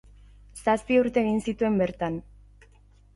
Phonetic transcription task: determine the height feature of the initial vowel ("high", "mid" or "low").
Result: low